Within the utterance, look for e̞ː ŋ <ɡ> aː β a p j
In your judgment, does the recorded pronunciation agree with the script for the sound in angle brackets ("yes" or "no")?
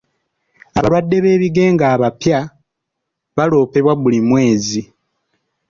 yes